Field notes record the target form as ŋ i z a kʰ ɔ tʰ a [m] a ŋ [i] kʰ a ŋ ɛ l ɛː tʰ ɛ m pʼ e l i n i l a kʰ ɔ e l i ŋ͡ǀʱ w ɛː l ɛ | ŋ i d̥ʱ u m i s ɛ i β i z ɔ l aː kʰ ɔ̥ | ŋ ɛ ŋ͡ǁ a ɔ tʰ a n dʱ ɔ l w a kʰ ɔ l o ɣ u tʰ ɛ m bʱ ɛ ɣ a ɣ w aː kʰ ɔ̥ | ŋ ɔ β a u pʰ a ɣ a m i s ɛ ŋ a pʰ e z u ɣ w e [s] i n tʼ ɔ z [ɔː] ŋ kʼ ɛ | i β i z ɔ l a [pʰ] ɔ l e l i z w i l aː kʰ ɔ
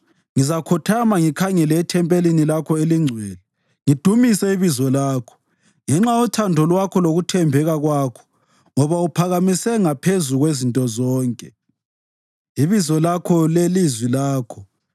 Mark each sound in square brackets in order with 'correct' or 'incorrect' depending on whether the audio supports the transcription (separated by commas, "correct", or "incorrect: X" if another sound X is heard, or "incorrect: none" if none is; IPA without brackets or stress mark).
correct, correct, incorrect: z, correct, incorrect: kʰ